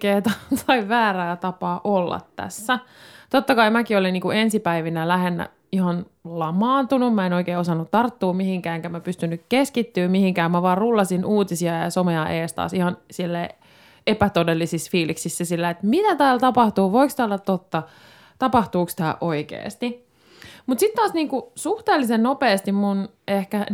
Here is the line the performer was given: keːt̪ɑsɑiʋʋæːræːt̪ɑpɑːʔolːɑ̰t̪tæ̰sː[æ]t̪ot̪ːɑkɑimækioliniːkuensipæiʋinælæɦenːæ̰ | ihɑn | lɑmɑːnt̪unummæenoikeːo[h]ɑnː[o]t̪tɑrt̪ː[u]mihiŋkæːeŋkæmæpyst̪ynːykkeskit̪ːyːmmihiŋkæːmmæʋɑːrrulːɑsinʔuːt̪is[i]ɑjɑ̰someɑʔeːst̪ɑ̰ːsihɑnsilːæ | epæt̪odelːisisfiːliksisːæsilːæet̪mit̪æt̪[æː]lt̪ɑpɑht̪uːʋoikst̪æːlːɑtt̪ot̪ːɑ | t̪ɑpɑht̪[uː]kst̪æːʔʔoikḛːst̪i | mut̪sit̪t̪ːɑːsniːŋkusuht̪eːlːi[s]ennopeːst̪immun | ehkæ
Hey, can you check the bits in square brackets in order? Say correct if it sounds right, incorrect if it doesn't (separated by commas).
correct, incorrect, incorrect, incorrect, correct, correct, correct, correct